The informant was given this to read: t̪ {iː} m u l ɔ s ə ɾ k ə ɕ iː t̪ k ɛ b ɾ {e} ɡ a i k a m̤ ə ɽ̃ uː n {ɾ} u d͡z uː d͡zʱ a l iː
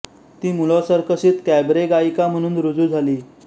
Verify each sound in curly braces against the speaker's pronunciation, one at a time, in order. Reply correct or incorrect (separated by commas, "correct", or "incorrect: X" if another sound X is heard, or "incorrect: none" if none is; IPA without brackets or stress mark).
correct, correct, correct